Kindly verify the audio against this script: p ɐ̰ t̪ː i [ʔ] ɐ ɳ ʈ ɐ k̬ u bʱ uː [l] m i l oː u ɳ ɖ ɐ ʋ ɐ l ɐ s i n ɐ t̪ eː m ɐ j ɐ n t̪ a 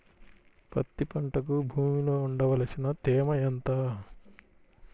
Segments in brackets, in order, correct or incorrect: incorrect: p, incorrect: none

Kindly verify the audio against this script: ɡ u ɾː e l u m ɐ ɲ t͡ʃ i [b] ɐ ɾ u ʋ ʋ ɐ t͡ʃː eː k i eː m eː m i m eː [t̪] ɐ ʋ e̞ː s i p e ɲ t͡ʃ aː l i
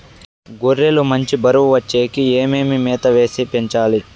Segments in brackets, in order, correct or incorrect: correct, correct

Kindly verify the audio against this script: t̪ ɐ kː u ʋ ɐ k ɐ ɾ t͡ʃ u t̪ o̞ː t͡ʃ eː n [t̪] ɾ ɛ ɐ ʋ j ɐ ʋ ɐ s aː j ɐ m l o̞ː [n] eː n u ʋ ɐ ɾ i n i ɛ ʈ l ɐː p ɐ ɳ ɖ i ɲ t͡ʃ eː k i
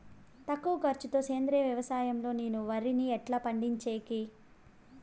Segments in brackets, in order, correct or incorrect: incorrect: d̪, correct

